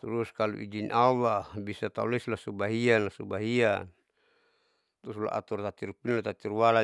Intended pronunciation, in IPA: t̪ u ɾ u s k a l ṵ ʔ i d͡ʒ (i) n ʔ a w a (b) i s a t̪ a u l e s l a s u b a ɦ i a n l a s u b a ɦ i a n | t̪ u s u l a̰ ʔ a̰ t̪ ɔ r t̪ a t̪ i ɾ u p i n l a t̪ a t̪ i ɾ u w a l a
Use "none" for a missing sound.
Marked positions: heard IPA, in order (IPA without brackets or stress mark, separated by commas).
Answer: i, b